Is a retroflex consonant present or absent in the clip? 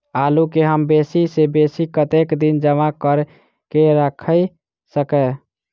absent